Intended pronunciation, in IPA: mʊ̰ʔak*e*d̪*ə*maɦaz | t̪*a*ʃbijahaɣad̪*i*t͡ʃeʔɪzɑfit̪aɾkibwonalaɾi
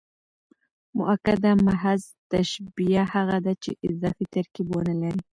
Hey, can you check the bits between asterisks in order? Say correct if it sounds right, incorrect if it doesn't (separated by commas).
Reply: incorrect, incorrect, correct, incorrect